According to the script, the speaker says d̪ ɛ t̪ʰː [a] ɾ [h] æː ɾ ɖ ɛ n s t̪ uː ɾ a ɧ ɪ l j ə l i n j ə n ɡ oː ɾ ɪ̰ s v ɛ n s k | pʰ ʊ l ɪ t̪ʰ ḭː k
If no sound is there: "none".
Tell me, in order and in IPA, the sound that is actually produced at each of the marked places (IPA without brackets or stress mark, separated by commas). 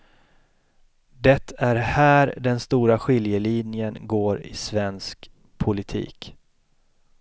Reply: æ, h